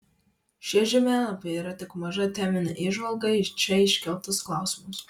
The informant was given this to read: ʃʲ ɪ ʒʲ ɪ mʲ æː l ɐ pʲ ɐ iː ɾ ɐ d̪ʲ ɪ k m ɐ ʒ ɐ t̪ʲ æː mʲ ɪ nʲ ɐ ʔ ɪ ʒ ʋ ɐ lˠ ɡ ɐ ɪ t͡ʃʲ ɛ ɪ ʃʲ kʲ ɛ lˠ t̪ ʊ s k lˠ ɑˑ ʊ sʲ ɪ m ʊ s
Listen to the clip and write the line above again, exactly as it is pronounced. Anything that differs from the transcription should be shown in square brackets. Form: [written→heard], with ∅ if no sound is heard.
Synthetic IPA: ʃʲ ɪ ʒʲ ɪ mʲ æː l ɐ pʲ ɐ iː ɾ ɐ [d̪ʲ→t̪ʲ] ɪ k m ɐ ʒ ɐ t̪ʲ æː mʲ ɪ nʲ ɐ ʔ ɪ ʒ ʋ ɐ lˠ ɡ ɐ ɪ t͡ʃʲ ɛ ɪ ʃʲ kʲ ɛ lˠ t̪ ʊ s k lˠ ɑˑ ʊ sʲ ɪ m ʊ s